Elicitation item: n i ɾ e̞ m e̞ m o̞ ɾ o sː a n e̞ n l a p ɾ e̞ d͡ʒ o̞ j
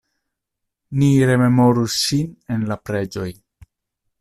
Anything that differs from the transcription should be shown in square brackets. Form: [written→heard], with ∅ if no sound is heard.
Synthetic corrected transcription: n i ɾ e̞ m e̞ m o̞ ɾ [o→u] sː [a→i] n e̞ n l a p ɾ e̞ d͡ʒ o̞ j

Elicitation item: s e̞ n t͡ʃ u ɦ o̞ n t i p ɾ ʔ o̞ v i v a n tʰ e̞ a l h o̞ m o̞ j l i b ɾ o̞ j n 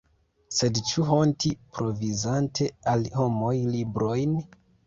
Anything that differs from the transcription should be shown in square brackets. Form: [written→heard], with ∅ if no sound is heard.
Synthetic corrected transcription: s e̞ [n→d] t͡ʃ u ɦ o̞ n t i p ɾ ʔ o̞ v i [v→z] a n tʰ e̞ a l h o̞ m o̞ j l i b ɾ o̞ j n

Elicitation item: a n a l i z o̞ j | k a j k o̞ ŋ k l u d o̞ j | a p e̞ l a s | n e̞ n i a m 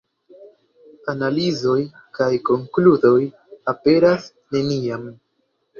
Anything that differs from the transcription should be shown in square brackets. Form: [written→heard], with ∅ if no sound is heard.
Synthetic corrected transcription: a n a l i z o̞ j | k a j k o̞ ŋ k l u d o̞ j | a p e̞ [l→ɾ] a s | n e̞ n i a m

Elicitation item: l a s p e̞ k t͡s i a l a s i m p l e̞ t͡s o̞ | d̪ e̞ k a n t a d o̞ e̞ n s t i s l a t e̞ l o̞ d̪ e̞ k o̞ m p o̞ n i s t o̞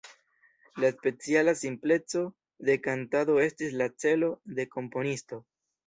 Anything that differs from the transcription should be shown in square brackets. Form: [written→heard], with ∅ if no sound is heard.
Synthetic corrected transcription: l a s p e̞ [k→∅] t͡s i a l a s i m p l e̞ t͡s o̞ | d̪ e̞ k a n t a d o̞ e̞ [n→∅] s t i s l a [t→t͡s] e̞ l o̞ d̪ e̞ k o̞ m p o̞ n i s t o̞

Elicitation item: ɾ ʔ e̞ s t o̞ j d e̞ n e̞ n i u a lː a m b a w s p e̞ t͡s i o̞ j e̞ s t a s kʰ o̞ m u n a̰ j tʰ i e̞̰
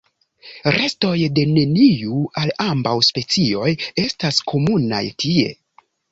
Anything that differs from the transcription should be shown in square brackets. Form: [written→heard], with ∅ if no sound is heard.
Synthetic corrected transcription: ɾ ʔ e̞ s t o̞ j d e̞ n e̞ n i u a [lː→l] a m b a w s p e̞ t͡s i o̞ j e̞ s t a s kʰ o̞ m u n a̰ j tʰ i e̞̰

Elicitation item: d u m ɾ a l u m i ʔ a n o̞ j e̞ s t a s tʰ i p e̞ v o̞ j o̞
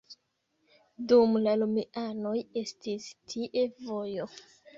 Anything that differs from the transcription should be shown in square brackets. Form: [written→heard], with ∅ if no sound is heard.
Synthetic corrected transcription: d u m [ɾ→l] a l u m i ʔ a n o̞ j e̞ s t [a→i] s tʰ i [p→ʔ] e̞ v o̞ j o̞

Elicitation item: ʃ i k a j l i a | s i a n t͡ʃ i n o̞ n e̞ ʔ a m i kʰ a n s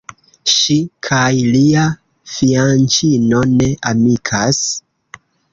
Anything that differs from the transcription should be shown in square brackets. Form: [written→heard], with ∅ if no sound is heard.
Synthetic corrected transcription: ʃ i [k→kʰ] a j l i a | [s→f] i a n t͡ʃ i n o̞ n e̞ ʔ a m i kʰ a [n→∅] s

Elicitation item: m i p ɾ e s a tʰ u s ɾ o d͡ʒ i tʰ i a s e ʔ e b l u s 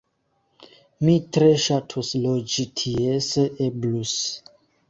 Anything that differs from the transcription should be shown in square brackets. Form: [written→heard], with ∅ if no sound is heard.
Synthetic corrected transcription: m i [p→t] ɾ e [s→ʃ] a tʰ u s [ɾ→l] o d͡ʒ i tʰ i [a→e] s e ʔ e b l u s

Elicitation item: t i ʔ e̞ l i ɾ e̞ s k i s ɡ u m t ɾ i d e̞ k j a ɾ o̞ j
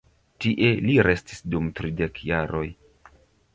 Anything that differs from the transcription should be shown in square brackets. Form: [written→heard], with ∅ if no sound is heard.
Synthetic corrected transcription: t i ʔ e̞ l i ɾ e̞ s [k→t] i s [ɡ→d] u m t ɾ i d e̞ k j a ɾ o̞ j

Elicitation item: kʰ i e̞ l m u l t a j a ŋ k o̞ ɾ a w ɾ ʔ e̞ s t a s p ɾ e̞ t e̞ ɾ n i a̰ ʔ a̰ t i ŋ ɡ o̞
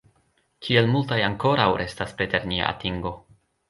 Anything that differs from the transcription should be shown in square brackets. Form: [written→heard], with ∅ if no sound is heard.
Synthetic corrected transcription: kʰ i e̞ l m u l t a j a ŋ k o̞ ɾ a w ɾ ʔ e̞ s t a s p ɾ e̞ t e̞ ɾ n i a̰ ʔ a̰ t i ŋ ɡ o̞

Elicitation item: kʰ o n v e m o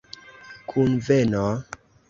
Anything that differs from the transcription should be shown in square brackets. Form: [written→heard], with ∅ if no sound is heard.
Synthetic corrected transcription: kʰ [o→u] n v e [m→n] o

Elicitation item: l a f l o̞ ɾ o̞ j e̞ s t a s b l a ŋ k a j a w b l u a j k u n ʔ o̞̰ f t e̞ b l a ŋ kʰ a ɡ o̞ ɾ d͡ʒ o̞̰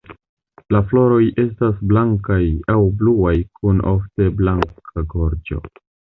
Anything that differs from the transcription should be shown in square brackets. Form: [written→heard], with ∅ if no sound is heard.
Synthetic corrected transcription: l a f l o̞ ɾ o̞ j e̞ s t a s b l a ŋ k a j a w b l u a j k u n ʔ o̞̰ f t e̞ b l a ŋ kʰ a ɡ o̞ ɾ d͡ʒ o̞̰

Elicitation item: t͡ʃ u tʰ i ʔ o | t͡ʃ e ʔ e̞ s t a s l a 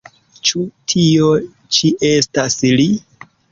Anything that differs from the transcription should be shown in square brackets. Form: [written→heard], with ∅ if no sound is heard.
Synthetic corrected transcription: t͡ʃ u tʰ i [ʔ→∅] o | t͡ʃ [e→i] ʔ e̞ s t a s l [a→i]

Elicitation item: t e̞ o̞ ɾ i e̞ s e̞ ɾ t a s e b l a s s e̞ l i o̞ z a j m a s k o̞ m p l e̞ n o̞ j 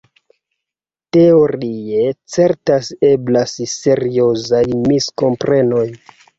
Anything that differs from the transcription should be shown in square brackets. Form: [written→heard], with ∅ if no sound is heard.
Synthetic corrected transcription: t e̞ o̞ ɾ i e̞ [s→t͡s] e̞ ɾ t a s e b l a s s e̞ [l→ɾ] i o̞ z a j m [a→i] s k o̞ m p [l→ɾ] e̞ n o̞ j

